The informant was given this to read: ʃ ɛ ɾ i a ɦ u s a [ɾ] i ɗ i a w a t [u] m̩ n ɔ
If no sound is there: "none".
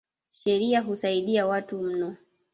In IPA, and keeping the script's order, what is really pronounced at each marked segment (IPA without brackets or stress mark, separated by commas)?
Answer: none, u